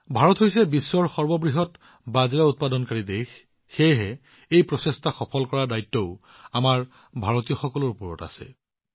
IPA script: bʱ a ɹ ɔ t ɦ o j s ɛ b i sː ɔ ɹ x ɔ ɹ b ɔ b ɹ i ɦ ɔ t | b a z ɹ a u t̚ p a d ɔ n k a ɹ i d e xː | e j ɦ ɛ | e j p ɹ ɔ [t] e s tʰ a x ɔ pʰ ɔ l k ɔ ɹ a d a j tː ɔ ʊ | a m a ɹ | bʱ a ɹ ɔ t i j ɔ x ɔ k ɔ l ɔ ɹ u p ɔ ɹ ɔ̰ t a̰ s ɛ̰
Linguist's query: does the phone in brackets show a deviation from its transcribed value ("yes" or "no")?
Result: yes